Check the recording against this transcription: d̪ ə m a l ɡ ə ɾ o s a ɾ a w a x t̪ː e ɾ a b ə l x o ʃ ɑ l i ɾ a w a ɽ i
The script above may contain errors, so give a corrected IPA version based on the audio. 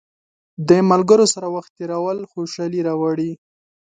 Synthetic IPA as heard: d̪ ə m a l ɡ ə ɾ o s a ɾ a w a x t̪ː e ɾ a w ə l x o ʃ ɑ l i ɾ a w a ɽ i